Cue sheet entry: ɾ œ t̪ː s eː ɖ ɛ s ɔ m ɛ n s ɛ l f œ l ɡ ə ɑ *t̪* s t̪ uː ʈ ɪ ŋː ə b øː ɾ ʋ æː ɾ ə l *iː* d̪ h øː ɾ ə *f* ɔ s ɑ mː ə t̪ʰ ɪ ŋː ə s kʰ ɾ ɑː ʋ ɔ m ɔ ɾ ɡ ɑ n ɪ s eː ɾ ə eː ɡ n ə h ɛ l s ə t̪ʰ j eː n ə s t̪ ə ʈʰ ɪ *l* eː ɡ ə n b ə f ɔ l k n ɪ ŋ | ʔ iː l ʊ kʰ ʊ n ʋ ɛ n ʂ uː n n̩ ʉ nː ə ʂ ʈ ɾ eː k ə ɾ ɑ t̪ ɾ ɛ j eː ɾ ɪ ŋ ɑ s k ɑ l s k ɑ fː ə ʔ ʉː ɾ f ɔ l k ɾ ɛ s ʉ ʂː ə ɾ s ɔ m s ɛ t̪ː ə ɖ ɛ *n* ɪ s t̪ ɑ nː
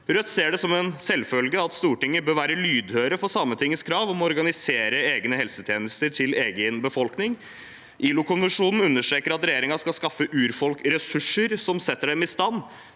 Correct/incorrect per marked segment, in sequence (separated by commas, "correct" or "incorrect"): correct, incorrect, correct, correct, incorrect